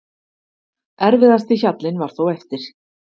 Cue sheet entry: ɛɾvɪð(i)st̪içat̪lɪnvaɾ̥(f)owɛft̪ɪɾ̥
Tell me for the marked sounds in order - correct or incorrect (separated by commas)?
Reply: incorrect, incorrect